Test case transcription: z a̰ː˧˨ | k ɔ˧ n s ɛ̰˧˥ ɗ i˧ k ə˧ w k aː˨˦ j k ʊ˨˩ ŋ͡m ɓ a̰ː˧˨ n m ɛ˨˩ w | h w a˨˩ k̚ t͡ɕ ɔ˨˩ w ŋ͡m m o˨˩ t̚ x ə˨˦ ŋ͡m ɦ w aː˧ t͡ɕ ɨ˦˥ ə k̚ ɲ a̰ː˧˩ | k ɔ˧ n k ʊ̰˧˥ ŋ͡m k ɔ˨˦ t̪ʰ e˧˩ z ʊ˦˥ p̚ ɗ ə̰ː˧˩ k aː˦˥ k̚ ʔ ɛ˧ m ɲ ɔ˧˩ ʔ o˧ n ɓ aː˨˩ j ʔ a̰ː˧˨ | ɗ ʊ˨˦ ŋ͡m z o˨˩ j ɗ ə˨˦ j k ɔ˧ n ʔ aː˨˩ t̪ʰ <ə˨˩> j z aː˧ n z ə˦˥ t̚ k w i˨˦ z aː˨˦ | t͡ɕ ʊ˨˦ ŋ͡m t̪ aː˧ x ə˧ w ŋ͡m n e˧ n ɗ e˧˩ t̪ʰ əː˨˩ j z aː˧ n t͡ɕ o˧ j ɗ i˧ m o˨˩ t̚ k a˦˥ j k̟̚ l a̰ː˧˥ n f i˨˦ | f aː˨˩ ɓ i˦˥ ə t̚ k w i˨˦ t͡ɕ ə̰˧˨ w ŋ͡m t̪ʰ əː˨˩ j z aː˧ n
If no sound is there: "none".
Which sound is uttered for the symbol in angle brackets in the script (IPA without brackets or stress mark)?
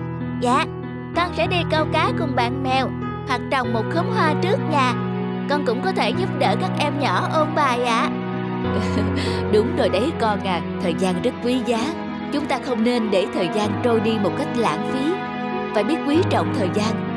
əː˨˩